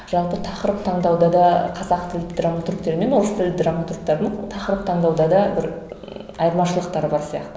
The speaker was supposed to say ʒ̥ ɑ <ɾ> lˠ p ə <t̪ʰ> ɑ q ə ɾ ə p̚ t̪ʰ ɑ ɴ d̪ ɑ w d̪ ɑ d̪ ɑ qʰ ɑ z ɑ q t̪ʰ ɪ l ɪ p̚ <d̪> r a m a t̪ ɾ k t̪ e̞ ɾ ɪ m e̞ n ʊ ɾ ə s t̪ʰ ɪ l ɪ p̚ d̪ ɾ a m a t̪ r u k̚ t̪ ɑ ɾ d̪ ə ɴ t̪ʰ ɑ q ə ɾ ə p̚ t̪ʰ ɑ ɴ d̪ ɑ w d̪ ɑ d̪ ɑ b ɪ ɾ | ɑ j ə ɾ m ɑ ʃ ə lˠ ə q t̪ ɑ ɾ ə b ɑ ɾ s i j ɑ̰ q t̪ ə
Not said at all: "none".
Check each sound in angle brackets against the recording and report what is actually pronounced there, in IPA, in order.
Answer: none, t̪ʰ, d̪

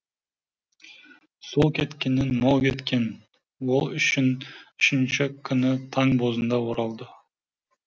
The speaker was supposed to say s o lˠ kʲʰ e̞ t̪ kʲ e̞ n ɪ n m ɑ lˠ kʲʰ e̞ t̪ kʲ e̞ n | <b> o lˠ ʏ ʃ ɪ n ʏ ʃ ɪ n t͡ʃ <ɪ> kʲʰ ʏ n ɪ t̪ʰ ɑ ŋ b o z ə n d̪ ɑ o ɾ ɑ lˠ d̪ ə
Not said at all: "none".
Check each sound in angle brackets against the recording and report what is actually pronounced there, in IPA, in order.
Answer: w, ɪ

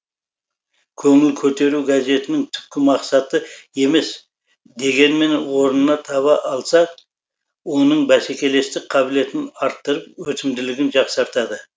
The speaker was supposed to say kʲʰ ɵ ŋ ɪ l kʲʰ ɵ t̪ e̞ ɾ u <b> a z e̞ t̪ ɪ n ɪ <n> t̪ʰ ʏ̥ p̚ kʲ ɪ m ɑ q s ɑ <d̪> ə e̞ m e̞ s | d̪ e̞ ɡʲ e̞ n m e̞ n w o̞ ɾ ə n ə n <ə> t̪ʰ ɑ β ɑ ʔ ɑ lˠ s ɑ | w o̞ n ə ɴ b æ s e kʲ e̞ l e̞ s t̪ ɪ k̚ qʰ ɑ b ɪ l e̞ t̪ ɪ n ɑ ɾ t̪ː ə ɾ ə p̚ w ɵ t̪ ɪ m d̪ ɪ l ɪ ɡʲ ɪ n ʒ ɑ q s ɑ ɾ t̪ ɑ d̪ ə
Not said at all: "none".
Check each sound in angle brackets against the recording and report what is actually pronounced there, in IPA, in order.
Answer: ɡ, ŋ, t̪, ɑ

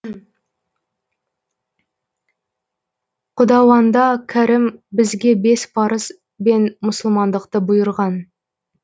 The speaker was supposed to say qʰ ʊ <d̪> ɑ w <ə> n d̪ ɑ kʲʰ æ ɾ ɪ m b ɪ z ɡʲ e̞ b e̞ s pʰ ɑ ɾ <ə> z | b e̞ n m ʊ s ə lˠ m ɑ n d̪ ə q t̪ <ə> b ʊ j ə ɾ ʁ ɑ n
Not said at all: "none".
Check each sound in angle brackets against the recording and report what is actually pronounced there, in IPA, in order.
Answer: d̪, ɑ, ə, ə

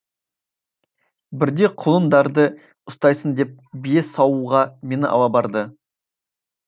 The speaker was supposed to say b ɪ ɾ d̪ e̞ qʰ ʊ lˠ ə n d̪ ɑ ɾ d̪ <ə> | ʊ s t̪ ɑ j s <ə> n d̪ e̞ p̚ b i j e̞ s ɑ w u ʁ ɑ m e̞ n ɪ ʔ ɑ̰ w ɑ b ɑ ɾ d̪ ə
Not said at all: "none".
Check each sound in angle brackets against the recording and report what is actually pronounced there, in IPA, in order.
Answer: ə, ə

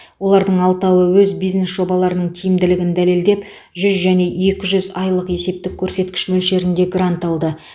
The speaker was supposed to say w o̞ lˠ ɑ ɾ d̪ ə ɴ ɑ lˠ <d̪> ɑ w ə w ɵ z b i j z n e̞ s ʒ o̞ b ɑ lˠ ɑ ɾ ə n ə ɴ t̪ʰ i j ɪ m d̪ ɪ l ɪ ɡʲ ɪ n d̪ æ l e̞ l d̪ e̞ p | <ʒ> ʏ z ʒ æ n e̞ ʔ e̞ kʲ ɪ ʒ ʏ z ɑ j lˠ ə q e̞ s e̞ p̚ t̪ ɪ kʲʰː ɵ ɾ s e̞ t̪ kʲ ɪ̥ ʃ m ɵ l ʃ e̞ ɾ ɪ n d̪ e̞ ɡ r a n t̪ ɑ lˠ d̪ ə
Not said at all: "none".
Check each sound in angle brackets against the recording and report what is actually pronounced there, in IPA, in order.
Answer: t̪, ʒ

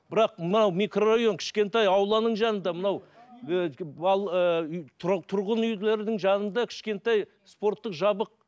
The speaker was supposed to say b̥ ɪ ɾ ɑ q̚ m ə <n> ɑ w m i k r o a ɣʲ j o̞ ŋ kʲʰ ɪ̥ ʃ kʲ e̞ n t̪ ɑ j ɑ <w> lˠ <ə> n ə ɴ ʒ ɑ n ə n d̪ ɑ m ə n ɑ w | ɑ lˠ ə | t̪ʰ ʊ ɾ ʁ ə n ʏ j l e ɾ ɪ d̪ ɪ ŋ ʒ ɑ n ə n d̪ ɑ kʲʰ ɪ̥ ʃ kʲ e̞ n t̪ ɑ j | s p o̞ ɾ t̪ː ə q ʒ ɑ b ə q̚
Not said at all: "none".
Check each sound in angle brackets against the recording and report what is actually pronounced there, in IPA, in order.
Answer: n, w, ɑ

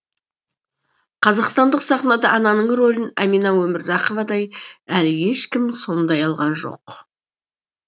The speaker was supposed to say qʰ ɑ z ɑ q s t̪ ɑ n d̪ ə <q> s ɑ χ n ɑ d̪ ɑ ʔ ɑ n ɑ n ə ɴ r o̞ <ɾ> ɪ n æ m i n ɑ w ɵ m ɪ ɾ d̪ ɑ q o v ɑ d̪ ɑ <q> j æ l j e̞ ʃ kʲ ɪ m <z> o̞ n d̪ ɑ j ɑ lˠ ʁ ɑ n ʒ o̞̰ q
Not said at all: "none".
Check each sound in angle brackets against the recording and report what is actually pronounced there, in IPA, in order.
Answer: q, l, none, s

